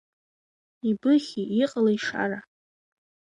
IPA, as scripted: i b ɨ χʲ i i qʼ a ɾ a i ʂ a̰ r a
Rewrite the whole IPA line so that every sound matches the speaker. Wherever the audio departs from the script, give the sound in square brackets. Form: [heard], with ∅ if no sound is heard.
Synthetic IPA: i b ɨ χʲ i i qʼ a [l] a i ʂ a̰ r a